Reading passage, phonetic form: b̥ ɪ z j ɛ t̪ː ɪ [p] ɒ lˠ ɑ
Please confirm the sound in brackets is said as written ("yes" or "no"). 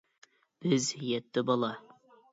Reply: no